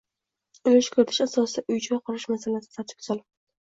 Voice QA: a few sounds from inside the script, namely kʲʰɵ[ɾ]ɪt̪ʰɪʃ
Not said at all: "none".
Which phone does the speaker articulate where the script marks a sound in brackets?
ɾ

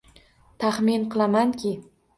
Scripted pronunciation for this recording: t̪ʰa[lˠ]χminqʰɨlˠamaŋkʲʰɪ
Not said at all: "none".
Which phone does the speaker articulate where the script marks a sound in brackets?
none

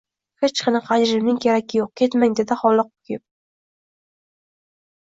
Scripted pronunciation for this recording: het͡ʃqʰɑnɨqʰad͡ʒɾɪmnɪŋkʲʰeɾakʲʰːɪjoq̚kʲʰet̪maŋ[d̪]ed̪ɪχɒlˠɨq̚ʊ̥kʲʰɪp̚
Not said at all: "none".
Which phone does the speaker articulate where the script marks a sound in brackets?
d̪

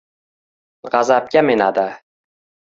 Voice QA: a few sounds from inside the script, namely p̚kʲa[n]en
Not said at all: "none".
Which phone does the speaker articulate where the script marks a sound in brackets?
m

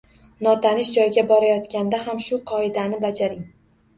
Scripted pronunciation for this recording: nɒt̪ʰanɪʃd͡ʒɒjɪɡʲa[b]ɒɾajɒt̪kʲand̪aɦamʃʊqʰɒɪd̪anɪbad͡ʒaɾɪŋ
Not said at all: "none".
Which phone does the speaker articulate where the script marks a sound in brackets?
b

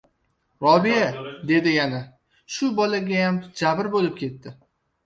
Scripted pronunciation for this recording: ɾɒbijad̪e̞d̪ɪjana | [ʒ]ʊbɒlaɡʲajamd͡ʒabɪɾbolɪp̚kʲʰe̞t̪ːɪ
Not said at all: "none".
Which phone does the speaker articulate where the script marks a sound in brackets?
ʃ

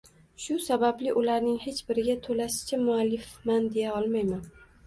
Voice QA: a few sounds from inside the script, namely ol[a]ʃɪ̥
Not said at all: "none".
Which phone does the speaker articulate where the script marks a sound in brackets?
a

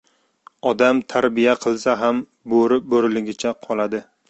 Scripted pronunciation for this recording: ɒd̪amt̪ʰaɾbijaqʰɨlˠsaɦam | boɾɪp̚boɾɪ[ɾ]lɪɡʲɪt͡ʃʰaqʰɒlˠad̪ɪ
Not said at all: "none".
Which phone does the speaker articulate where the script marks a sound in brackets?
none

